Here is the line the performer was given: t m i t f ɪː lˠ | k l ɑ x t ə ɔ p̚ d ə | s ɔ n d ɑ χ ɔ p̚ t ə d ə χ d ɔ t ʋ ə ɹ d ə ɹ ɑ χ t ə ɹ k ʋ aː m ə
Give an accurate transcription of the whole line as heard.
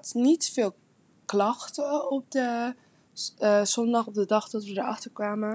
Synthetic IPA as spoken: t n i t f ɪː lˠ | k l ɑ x t ə ɔ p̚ d ə | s ɔ n d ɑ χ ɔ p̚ d ə d ɑ χ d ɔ t ʋ ə d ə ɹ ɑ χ t ə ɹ k ʋ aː m ə